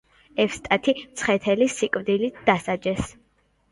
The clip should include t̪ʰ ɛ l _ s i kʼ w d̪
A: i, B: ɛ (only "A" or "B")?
A